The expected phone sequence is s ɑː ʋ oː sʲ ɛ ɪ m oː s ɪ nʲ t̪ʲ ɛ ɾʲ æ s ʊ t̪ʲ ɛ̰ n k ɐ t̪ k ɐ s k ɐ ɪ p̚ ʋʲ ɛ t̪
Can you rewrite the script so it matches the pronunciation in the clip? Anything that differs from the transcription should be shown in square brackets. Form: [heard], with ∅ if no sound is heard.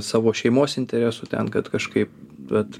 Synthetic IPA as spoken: s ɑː ʋ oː [ʃʲ] ɛ ɪ m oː s ɪ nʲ t̪ʲ ɛ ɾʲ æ s ʊ t̪ʲ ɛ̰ n k ɐ t̪ k ɐ [ʃ] k ɐ ɪ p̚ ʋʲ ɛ t̪